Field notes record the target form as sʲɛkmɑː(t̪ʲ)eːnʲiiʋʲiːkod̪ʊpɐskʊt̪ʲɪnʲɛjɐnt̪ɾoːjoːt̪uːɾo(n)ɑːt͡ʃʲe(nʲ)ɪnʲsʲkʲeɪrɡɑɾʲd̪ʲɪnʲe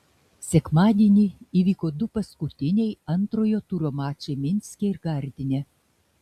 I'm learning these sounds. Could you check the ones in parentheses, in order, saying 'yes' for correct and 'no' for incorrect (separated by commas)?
no, no, no